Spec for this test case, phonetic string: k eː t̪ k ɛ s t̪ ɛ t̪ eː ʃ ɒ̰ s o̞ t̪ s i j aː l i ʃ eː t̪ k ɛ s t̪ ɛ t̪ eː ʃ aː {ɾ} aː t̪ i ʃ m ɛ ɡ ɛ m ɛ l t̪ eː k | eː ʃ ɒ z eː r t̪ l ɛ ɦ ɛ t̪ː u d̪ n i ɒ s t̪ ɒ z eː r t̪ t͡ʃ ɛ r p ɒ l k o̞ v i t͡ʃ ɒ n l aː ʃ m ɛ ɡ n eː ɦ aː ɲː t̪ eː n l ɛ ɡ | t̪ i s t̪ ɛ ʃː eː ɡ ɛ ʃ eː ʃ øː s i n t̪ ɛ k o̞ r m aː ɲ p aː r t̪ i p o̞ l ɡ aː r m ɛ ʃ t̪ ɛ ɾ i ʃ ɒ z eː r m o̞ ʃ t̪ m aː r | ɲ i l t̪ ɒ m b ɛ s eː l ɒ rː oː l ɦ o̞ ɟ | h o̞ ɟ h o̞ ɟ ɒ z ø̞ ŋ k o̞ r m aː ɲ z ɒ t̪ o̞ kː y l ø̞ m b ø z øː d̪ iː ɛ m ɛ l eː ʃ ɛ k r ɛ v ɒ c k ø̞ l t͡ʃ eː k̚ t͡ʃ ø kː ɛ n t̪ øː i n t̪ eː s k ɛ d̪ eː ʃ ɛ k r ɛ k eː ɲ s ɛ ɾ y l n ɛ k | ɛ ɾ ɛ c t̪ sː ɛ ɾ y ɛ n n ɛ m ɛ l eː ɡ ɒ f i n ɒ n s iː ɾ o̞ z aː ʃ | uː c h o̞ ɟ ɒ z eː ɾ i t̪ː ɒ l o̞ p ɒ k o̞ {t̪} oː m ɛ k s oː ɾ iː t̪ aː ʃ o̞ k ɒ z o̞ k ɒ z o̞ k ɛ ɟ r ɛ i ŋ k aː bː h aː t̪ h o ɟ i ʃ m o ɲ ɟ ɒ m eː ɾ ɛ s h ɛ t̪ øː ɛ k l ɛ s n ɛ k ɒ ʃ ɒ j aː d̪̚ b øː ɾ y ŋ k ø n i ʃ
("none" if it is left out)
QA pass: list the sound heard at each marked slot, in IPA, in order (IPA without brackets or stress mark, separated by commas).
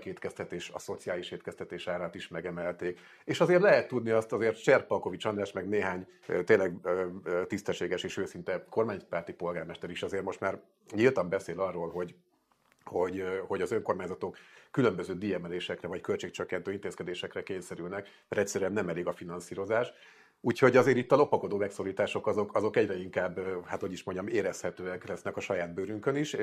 ɾ, d̪